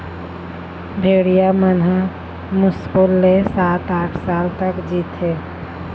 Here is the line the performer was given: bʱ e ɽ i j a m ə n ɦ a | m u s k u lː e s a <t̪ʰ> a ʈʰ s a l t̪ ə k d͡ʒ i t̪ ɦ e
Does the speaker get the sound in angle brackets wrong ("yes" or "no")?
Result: yes